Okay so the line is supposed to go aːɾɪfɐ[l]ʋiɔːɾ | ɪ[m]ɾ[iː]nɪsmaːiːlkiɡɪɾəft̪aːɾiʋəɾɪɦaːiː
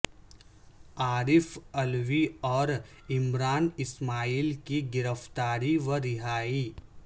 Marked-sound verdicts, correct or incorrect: correct, correct, incorrect

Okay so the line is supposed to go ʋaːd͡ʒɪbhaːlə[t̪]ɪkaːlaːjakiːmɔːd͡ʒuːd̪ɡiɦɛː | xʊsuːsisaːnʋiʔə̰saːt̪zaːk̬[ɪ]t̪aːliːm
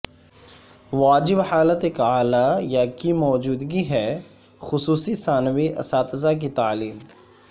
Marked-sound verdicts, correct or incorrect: correct, incorrect

